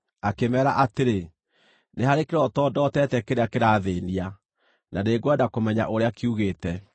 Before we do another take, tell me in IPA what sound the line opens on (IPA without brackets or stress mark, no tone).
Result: a